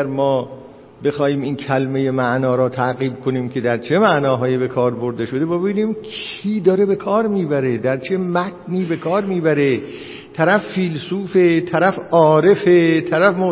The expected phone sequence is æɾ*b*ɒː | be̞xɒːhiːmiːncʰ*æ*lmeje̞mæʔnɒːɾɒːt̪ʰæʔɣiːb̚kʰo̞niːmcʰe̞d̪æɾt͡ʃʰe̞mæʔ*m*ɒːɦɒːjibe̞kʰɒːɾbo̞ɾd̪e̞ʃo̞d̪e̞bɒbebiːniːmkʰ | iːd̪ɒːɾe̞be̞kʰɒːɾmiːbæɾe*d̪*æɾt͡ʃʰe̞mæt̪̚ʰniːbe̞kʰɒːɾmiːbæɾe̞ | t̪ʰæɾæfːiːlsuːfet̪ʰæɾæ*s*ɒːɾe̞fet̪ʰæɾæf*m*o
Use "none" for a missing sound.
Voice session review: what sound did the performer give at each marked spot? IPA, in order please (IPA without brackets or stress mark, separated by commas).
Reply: m, æ, n, d̪, f, m